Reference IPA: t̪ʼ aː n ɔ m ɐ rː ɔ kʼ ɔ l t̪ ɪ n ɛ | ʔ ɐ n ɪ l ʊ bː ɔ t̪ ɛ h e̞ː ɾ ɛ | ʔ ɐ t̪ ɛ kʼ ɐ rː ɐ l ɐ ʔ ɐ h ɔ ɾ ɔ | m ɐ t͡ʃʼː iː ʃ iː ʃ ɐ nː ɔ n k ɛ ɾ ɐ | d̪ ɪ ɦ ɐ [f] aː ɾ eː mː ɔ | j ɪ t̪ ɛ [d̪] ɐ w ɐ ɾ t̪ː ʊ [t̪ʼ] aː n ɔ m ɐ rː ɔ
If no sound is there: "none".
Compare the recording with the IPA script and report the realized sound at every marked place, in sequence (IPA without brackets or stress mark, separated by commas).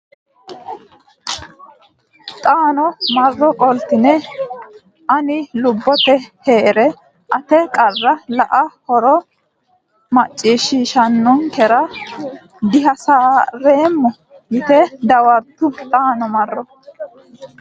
s, d̪, t̪ʼ